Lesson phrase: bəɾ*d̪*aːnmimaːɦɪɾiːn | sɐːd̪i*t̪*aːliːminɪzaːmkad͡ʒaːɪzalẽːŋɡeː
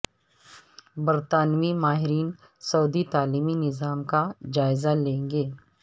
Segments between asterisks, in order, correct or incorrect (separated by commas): incorrect, correct